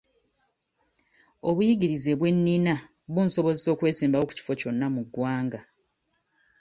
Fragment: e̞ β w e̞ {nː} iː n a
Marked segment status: correct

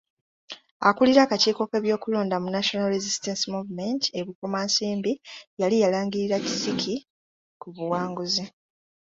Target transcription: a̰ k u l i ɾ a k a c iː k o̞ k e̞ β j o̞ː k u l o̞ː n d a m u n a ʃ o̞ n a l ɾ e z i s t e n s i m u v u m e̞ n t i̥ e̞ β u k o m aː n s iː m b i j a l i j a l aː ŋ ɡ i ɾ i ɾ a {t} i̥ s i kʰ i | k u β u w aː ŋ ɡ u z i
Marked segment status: incorrect: c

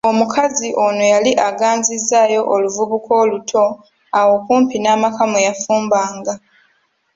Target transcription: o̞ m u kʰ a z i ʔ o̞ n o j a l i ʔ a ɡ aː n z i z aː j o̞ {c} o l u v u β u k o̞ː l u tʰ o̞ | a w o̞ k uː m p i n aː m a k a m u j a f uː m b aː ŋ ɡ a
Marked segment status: incorrect: ʔ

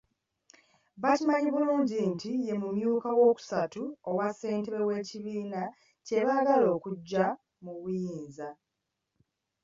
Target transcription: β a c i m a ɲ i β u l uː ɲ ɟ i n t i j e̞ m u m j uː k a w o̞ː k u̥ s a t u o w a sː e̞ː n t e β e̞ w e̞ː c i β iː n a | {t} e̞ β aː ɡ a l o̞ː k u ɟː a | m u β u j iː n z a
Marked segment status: incorrect: c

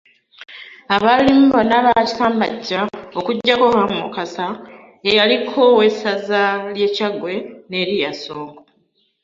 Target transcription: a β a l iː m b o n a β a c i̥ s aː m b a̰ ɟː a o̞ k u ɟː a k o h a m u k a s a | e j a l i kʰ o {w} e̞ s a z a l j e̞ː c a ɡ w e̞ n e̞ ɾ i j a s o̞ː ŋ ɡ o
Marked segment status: correct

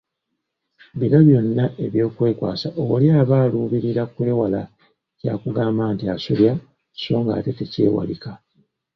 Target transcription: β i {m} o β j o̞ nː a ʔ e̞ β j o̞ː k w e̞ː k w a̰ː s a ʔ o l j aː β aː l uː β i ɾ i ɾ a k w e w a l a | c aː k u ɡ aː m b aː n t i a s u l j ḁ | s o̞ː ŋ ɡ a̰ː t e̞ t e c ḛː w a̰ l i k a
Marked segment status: incorrect: n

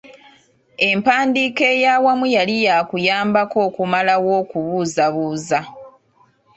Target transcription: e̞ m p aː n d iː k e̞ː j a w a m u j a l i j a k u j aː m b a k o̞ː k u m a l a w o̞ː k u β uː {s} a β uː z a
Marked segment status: incorrect: z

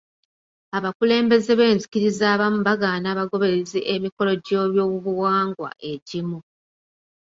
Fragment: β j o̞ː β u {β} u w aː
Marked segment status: correct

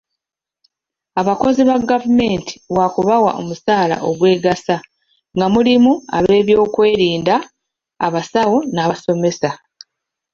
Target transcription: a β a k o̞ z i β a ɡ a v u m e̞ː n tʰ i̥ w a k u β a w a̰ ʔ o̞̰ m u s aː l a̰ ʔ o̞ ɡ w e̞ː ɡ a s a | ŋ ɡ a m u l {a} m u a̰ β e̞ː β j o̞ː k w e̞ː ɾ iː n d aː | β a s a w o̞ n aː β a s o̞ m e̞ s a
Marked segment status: incorrect: i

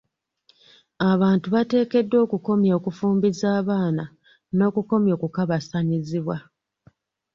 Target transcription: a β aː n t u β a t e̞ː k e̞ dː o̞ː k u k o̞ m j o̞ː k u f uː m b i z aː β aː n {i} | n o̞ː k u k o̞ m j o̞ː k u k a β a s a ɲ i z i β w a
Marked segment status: incorrect: a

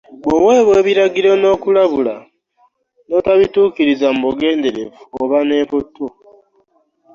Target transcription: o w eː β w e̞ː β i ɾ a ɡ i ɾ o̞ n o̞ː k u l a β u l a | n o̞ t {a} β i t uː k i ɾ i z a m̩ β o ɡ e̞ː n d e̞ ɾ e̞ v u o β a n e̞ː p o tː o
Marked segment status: correct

